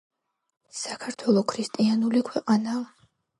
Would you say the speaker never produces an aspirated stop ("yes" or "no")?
no